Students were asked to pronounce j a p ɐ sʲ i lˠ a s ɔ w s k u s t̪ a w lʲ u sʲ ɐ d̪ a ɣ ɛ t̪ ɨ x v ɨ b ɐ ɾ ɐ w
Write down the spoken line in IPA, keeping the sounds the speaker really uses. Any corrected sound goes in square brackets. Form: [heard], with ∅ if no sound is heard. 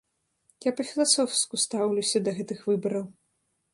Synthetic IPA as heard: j a p ɐ [fʲ] i lˠ a s ɔ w s k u s t̪ a w lʲ u sʲ ɐ d̪ [ɐ] ɣ ɛ t̪ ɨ x v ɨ b ɐ ɾ ɐ w

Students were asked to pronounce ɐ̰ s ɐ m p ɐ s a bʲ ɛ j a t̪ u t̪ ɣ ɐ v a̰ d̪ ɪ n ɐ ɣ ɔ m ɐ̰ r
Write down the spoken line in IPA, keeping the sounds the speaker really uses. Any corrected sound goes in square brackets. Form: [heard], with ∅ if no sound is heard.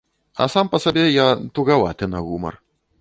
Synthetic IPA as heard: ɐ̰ s [a] m p ɐ s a bʲ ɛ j a t̪ u [∅] ɣ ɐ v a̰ [t̪] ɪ n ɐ ɣ [u] m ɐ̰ r

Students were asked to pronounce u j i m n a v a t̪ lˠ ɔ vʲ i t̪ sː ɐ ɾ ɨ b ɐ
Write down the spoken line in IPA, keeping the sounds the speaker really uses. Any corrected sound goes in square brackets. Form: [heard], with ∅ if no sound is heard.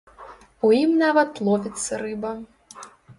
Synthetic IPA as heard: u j i m n a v [ɐ] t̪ lˠ ɔ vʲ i t̪ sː ɐ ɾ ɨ b ɐ

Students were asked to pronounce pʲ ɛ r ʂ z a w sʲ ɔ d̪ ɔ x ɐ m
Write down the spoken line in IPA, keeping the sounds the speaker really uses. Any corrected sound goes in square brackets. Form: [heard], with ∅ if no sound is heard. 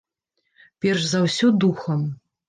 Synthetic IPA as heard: pʲ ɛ r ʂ z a w sʲ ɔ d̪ [u] x ɐ m

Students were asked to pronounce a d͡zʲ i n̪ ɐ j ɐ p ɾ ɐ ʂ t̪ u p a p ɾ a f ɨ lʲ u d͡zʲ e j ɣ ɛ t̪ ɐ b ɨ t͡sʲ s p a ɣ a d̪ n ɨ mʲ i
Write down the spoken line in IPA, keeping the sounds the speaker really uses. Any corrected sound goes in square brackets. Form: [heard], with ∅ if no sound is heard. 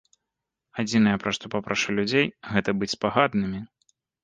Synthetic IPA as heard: a d͡zʲ i n̪ ɐ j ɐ p ɾ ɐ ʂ t̪ [ɔ] p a p ɾ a [ʂ] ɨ lʲ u d͡zʲ e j ɣ ɛ t̪ ɐ b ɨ t͡sʲ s p a ɣ a d̪ n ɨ mʲ i

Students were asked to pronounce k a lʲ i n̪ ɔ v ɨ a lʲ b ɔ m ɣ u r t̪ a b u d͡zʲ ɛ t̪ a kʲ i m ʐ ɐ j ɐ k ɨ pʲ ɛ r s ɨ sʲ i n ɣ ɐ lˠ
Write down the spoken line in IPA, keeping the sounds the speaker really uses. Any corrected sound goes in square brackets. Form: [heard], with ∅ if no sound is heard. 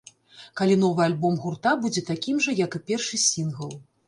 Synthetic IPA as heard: k a lʲ i n̪ ɔ v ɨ a lʲ b ɔ m ɣ u r t̪ a b u d͡zʲ ɛ t̪ a kʲ i m ʐ ɐ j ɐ k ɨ pʲ ɛ r [ʂ] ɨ sʲ i n ɣ ɐ lˠ

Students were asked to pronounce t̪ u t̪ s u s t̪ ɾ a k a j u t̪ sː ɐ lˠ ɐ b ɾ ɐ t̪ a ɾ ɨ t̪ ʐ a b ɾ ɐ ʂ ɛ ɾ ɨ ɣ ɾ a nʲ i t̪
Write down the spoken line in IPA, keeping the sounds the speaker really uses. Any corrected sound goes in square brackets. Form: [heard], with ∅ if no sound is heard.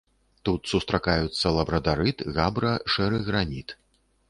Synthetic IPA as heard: t̪ u t̪ s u s t̪ ɾ a k a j u t̪ sː ɐ lˠ ɐ b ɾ ɐ [d̪] a ɾ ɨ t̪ [ɣ] a b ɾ ɐ ʂ ɛ ɾ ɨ ɣ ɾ a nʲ i t̪

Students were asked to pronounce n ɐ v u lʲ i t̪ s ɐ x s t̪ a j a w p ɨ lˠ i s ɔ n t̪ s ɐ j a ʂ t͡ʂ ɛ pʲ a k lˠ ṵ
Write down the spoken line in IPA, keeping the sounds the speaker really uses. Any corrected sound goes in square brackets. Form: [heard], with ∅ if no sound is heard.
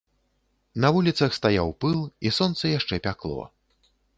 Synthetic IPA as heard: n ɐ v u lʲ i t̪ s ɐ x s t̪ a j a w p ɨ lˠ i s ɔ n t̪ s ɐ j a ʂ t͡ʂ ɛ pʲ a k lˠ [ɔ̰]

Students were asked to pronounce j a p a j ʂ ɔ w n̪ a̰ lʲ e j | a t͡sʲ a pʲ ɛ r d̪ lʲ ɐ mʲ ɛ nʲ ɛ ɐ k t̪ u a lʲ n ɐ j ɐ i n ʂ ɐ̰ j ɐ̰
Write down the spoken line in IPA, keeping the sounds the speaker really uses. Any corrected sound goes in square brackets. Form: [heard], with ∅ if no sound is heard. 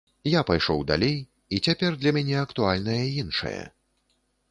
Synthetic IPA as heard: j a p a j ʂ ɔ w [d̪] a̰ lʲ e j | [i] t͡sʲ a pʲ ɛ r d̪ lʲ ɐ mʲ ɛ nʲ ɛ ɐ k t̪ u a lʲ n ɐ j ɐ i n ʂ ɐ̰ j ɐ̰

